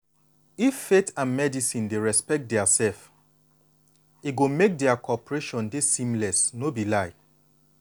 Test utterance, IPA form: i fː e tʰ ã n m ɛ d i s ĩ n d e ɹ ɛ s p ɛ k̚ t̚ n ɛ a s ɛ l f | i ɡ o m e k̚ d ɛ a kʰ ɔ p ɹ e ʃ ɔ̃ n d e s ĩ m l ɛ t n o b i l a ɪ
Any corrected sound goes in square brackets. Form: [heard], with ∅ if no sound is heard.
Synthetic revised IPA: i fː e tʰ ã n m ɛ d i s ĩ n d e ɹ ɛ s p ɛ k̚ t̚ [d] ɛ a s ɛ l f | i ɡ o m e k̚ d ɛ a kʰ ɔ p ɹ e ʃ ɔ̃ n d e s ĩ m l ɛ [s] n o b i l a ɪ

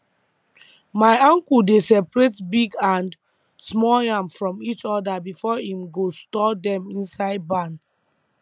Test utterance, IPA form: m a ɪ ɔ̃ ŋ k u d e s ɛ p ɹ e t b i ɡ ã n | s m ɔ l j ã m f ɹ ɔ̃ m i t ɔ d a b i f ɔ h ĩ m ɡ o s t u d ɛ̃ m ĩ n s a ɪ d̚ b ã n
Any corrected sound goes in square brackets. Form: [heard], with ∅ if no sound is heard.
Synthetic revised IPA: m a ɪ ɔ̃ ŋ k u d e s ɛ p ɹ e t b i ɡ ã n | s m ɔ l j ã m f ɹ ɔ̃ m i [t͡ʃ] ɔ d a b i f ɔ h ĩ m ɡ o s t [ɔ] d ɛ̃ m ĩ n s a ɪ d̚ b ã n

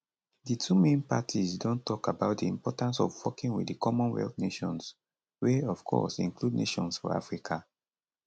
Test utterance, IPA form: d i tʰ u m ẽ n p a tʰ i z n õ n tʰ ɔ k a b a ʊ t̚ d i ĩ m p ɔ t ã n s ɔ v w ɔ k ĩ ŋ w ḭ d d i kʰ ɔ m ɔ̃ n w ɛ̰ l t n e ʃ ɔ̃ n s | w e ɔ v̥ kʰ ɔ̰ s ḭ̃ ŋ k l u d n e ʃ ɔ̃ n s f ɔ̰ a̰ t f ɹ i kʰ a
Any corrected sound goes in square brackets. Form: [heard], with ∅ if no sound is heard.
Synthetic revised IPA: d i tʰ u m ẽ n p a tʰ i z [d] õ n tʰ ɔ k a b a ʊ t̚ d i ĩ m p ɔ t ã n s ɔ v w ɔ k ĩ ŋ w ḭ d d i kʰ ɔ m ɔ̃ n w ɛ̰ l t n e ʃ ɔ̃ n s | w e ɔ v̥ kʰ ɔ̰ s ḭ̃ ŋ k l u d n e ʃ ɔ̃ n s f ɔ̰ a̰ [∅] f ɹ i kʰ a

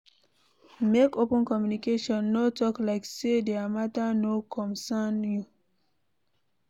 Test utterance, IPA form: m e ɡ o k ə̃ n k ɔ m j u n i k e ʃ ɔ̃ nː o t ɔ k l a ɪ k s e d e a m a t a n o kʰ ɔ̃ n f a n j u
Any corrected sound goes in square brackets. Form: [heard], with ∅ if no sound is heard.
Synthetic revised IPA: m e [k] o [p] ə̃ n k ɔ m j u n i k e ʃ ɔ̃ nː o t ɔ k l a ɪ k s e d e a m a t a n o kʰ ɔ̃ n [s] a n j u

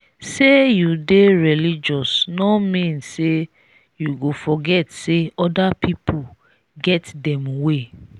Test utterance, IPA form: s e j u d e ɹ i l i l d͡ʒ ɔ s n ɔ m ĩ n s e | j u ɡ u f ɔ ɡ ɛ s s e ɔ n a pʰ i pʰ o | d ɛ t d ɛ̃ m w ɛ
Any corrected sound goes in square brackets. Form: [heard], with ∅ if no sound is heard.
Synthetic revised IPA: s e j u d e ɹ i l i [∅] d͡ʒ ɔ s n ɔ m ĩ n s e | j u ɡ [o] f ɔ ɡ ɛ [t] s e ɔ [d] a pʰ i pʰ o | [ɡ] ɛ t d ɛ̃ m w [e]

